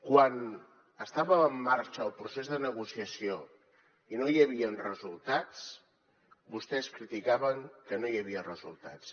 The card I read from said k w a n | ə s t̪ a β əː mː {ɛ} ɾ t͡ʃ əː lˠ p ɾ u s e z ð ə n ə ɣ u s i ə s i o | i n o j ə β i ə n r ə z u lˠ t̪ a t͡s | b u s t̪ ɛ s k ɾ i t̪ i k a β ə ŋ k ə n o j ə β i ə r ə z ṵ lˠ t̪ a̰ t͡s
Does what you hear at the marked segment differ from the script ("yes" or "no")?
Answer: yes